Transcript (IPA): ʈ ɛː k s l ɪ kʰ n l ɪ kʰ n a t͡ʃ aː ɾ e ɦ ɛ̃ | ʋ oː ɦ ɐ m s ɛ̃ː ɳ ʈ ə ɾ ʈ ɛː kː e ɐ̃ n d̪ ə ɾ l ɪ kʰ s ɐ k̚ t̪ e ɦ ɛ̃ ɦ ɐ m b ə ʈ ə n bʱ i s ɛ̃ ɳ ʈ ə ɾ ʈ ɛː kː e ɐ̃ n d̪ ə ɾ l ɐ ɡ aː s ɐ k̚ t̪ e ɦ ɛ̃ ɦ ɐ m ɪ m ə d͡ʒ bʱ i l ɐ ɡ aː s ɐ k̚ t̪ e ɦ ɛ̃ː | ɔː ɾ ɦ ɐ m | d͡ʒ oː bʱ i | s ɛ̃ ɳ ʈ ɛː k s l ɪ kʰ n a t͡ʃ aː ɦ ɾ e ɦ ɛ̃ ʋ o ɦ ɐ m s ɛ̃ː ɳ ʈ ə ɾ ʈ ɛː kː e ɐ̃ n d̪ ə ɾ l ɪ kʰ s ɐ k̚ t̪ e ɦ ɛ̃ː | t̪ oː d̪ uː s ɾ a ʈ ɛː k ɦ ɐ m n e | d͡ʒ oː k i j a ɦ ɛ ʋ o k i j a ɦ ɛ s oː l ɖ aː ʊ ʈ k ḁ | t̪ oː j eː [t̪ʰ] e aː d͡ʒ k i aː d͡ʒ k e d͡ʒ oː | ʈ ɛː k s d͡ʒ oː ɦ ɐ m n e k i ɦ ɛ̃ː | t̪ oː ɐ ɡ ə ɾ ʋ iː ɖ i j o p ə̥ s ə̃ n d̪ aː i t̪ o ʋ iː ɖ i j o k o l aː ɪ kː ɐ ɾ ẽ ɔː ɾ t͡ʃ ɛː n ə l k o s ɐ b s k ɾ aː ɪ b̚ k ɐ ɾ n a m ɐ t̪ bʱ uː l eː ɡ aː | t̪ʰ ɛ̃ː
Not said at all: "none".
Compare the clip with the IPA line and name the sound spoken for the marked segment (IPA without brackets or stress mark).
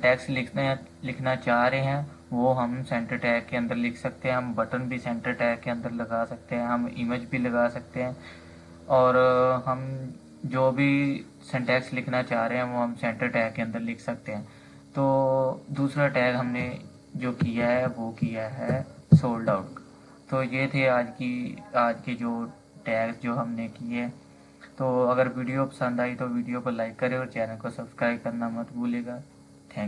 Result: t̪ʰ